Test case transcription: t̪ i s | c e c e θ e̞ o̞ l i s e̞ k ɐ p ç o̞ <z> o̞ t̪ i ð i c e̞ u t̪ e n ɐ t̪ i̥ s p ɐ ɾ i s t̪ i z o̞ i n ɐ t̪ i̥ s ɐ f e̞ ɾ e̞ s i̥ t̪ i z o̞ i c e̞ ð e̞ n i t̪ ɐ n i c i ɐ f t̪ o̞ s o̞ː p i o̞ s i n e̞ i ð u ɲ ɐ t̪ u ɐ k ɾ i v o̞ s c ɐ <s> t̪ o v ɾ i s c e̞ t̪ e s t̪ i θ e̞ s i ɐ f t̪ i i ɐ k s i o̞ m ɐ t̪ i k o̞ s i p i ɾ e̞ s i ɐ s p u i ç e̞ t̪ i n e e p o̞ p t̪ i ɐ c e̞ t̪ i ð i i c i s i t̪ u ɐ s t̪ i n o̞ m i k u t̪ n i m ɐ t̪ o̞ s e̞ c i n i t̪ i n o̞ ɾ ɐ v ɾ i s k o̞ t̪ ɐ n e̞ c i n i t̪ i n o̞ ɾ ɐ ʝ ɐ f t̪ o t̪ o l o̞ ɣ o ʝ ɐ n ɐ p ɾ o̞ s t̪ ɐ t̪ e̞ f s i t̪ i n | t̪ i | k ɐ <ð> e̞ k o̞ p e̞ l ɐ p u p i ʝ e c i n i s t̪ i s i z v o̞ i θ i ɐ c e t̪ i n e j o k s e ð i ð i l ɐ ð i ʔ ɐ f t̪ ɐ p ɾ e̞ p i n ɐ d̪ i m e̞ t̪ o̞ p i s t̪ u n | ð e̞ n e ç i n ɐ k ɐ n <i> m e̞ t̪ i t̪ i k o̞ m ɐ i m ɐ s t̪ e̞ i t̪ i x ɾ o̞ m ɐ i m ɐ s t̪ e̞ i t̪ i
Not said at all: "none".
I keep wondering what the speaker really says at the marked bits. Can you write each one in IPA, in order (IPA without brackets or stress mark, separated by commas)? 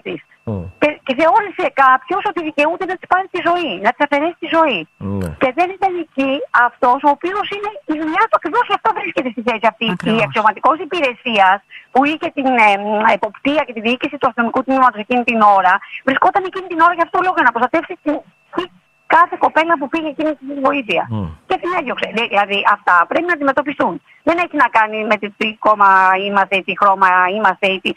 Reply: s, f, θ, i